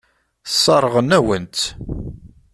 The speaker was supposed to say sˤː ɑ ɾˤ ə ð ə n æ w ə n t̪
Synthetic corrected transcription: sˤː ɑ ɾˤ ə ʁ ə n æ w ə n t̪

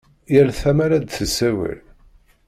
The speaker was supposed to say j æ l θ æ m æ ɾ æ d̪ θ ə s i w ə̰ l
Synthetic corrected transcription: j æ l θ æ m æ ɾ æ d̪ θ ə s æ w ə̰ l

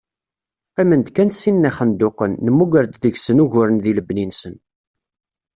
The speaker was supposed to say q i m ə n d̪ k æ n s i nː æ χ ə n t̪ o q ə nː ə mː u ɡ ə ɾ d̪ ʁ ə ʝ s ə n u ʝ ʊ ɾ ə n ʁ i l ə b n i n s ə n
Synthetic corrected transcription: q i m ə n d̪ k æ n s i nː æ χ ə n d̪ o q ə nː ə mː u ɡ ə ɾ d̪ ð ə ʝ s ə n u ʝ ʊ ɾ ə n ð i l ə b n i n s ə n

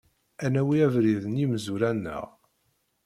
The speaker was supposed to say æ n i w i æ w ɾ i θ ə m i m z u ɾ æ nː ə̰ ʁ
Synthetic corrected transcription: æ n æ w i æ v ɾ i ð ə n i m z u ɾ æ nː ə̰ ʁ

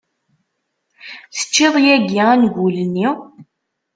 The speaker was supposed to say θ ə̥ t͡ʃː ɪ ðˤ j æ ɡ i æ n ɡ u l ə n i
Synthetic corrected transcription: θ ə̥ t͡ʃː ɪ ðˤ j æ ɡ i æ n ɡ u l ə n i

